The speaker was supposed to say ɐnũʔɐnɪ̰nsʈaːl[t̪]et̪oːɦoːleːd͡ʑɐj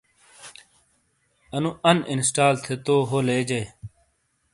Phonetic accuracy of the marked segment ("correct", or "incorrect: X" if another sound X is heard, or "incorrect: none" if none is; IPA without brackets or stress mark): incorrect: t̪ʰ